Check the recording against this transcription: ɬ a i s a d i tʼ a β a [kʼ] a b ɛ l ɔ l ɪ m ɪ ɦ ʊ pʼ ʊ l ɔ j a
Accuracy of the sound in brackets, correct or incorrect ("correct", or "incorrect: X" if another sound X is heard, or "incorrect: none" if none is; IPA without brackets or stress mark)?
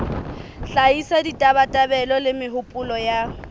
incorrect: tʼ